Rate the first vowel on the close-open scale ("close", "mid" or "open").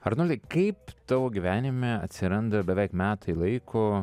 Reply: open